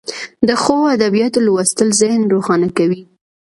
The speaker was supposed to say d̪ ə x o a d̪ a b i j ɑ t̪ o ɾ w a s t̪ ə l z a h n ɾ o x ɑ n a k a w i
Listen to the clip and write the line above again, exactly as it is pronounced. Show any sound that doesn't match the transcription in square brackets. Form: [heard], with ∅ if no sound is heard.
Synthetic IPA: d̪ ə x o a d̪ a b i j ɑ t̪ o [l] w a s t̪ ə l z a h n ɾ o x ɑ n a k a w i